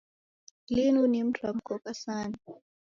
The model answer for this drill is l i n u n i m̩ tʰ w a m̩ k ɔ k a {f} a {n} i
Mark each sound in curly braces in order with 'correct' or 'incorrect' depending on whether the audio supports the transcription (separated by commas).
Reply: incorrect, correct